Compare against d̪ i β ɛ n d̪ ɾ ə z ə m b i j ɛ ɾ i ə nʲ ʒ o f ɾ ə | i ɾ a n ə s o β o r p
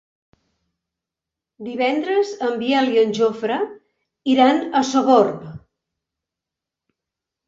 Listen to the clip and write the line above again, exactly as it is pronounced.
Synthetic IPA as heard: d̪ i β ɛ n d̪ ɾ ə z ə m b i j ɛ l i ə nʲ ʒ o f ɾ ə | i ɾ a n ə s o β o r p

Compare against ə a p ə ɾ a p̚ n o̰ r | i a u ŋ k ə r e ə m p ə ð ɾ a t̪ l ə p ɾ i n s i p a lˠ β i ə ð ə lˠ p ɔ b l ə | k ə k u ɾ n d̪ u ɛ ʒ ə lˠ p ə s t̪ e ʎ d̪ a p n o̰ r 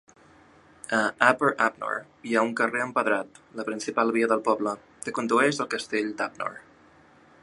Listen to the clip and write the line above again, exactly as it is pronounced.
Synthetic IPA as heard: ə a p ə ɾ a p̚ n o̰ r | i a u ŋ k ə r e ə m p ə ð ɾ a t̪ l ə p ɾ i n s i p a lˠ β i ə ð ə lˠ p ɔ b l ə | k ə k u n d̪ u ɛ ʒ ə lˠ k ə s t̪ e ʎ d̪ a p n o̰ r

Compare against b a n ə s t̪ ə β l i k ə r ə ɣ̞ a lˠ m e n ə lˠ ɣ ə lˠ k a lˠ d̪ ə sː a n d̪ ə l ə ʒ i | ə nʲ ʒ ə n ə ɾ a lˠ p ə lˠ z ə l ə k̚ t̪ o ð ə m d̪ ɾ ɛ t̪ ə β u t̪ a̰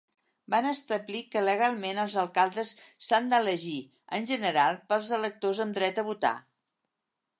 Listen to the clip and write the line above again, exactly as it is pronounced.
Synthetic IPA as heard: b a n ə s t̪ ə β l i k ə l ə ɣ̞ a lˠ m e n ə lˠ z ə lˠ k a lˠ d̪ ə sː a n d̪ ə l ə ʒ i | ə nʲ ʒ ə n ə ɾ a lˠ p ə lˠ z ə l ə k̚ t̪ o z ə m d̪ ɾ ɛ t̪ ə β u t̪ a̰

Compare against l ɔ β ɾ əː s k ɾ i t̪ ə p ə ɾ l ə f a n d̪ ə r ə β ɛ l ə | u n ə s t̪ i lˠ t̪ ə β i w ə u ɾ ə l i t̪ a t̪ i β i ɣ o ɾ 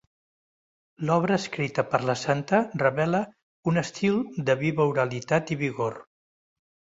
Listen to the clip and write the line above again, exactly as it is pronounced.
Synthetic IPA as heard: l ɔ β ɾ əː s k ɾ i t̪ ə p ə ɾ l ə s a n t̪ ə r ə β ɛ l ə | u n ə s t̪ i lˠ d̪ ə β i β ə u ɾ ə l i t̪ a t̪ i β i ɣ o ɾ

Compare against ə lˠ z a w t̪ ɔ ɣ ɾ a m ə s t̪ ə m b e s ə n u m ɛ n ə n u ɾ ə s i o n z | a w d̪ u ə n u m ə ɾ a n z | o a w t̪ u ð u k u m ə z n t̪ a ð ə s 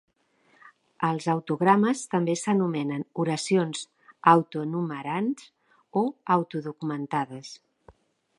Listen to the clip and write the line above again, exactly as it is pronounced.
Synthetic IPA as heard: ə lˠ z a w t̪ u ɣ ɾ a m ə s t̪ ə m b e s ə n u m ɛ n ə n u ɾ ə s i o n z | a w t̪ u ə n u m ə ɾ a n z | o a w t̪ u ð u k u m ə n t̪ a ð ə s

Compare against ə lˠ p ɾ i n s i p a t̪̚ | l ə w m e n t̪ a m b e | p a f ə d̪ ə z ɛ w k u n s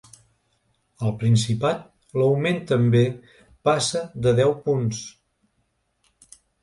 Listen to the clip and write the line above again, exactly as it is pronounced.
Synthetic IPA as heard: ə lˠ p ɾ i n s i p a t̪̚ | l ə w m e n t̪ ə m b e | p a s ə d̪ ə ð ɛ w p u n s

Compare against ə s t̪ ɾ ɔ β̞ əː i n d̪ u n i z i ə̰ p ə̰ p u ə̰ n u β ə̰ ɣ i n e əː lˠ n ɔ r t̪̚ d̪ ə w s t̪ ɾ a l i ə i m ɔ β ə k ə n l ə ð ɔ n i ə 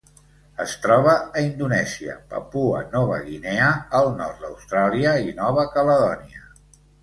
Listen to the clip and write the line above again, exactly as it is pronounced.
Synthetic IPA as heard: ə s t̪ ɾ ɔ β̞ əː i n d̪ u n ɛ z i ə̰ p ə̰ p u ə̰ n ɔ β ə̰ ɣ i n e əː lˠ n ɔ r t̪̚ d̪ ə w s t̪ ɾ a l i ə i n ɔ β ə k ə l ə ð ɔ n i ə

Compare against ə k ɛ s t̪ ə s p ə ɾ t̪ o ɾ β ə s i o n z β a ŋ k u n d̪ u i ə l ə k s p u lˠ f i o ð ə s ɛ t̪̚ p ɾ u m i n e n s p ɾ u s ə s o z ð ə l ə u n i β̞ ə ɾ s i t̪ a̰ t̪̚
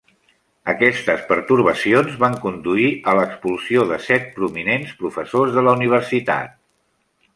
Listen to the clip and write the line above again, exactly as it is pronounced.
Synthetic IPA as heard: ə k ɛ s t̪ ə s p ə ɾ t̪ u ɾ β ə s i o n z β a ŋ k u n d̪ u i ə l ə k s p u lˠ s i o ð ə s ɛ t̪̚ p ɾ u m i n e n s p ɾ u f ə s o z ð ə l ə u n i β̞ ə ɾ s i t̪ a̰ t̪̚

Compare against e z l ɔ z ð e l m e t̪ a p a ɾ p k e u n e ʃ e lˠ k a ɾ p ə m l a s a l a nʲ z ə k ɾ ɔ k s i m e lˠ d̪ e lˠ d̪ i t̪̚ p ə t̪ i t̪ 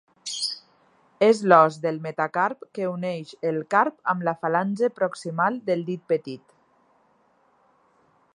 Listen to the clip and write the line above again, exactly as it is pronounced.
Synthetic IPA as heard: e z l ɔ z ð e l m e t̪ a k a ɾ p k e u n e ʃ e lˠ k a ɾ p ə m l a f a l a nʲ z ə p ɾ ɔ k s i m a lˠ d̪ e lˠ d̪ i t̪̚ p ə t̪ i t̪

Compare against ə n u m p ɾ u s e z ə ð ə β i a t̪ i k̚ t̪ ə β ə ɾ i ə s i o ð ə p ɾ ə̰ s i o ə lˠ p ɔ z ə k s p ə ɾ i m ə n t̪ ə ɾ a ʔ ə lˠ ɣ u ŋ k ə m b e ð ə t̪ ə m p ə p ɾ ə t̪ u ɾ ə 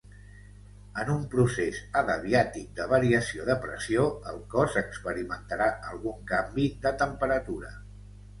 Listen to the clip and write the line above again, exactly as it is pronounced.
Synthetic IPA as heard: ə n u m p ɾ u s e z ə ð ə β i a t̪ i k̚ d̪ ə β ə ɾ i ə s i o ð ə p ɾ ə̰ s i o ə lˠ k ɔ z ə k s p ə ɾ i m ə n t̪ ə ɾ a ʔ ə lˠ ɣ u ŋ k a m b i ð ə t̪ ə m p ə ɾ ə t̪ u ɾ ə

